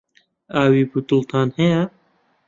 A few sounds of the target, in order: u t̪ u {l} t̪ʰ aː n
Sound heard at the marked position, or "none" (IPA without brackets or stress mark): l